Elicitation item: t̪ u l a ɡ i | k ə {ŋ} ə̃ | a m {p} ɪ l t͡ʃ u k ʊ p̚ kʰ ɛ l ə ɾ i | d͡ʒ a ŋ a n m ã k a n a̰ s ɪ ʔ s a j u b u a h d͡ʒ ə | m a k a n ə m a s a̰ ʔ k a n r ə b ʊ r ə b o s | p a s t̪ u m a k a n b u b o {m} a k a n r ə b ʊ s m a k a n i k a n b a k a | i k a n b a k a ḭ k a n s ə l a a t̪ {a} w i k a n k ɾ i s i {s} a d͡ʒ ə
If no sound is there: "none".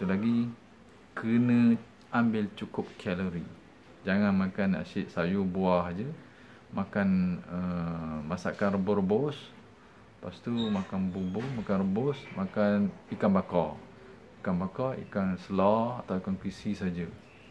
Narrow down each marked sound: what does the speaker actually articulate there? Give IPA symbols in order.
n, b, m, a, s

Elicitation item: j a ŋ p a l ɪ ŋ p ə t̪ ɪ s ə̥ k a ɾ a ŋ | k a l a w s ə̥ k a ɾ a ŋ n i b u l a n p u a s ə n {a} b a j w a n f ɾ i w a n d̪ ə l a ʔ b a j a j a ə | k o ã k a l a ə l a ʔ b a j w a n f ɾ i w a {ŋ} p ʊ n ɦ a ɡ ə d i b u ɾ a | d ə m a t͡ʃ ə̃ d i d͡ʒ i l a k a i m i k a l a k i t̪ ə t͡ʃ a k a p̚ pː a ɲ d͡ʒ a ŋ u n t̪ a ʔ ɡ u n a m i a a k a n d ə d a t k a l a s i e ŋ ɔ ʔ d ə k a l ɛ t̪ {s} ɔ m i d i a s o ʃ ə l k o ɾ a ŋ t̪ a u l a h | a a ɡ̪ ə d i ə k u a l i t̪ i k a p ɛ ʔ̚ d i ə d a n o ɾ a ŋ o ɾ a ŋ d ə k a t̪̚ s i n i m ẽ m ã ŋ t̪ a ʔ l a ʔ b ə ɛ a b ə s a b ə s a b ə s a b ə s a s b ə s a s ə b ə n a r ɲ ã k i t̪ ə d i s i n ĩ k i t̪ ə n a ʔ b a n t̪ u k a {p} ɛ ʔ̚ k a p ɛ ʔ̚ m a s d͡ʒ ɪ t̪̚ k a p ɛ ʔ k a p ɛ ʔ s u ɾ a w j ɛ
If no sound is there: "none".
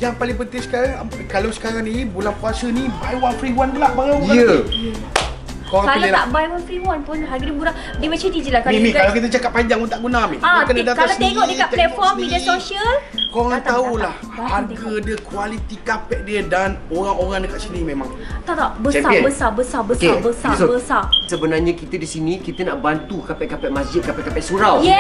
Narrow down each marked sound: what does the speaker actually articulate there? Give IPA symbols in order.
i, n, f, p

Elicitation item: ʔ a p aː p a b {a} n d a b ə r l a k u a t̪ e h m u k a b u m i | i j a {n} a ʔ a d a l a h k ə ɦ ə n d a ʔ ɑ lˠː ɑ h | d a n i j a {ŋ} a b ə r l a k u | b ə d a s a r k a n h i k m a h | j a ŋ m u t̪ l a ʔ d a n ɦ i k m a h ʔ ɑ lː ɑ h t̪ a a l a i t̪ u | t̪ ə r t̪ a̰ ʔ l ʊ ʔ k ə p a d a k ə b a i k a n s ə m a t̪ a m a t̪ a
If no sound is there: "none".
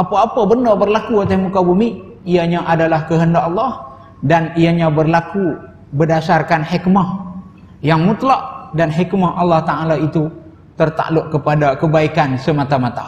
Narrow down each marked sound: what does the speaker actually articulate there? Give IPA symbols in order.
ə, ɲ, ɲ

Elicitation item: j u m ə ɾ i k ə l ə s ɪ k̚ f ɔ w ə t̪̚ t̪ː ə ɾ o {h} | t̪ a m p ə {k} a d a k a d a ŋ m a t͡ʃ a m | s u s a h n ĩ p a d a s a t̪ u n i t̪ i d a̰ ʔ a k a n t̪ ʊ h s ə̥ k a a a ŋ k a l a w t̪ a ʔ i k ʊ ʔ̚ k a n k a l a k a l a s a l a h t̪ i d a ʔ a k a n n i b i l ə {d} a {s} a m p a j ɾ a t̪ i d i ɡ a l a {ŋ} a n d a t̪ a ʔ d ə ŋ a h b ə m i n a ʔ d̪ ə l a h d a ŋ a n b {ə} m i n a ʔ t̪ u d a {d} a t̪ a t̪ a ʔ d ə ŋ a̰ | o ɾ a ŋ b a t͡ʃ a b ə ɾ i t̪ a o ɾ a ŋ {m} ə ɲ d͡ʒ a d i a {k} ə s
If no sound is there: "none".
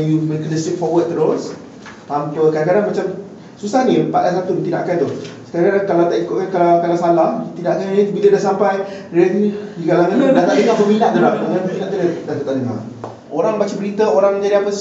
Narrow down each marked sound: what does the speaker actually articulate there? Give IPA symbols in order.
s, k, d, s, ŋ, ə, d, m, p

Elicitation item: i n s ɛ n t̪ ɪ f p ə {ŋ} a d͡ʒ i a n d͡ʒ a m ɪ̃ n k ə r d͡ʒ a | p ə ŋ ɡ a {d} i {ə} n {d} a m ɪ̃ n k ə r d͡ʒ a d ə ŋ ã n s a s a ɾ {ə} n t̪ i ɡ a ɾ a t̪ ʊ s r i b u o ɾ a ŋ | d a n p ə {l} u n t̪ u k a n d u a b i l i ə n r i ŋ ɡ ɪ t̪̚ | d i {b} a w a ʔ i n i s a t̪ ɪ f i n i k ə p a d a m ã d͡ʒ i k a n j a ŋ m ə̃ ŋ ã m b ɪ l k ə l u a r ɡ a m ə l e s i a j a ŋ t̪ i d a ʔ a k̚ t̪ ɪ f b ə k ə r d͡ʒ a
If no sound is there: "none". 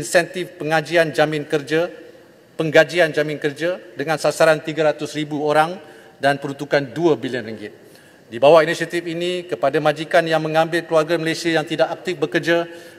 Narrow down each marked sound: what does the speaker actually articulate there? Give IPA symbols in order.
ŋ, d͡ʒ, a, d͡ʒ, a, ɾ, b

